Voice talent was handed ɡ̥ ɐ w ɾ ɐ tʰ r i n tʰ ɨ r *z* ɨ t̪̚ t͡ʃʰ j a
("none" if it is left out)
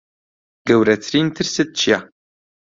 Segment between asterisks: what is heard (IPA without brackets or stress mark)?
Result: s